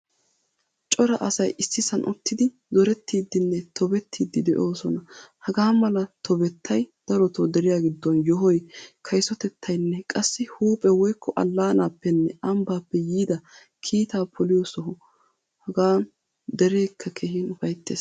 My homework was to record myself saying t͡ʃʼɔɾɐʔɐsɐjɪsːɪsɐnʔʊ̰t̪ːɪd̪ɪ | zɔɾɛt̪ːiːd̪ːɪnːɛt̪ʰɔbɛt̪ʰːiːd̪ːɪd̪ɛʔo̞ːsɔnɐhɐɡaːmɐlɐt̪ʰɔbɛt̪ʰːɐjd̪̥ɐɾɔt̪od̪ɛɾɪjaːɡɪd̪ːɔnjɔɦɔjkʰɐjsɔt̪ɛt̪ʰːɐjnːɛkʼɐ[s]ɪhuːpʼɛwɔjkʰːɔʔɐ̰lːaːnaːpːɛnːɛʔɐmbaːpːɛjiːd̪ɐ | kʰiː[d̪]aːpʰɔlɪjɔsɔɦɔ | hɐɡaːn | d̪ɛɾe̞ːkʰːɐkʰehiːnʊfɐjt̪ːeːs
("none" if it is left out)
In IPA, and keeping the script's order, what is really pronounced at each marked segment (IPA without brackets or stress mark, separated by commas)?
sː, t̪